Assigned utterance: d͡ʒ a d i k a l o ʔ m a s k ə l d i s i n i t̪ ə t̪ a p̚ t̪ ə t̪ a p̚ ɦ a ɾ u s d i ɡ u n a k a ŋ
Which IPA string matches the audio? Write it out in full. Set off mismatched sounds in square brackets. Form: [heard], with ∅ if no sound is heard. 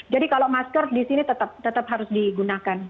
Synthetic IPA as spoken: d͡ʒ a d i k a l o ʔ m a s k ə [r] d i s i n i t̪ ə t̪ a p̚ t̪ ə t̪ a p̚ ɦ a ɾ [ʊ] s d i ɡ u n a k a [n]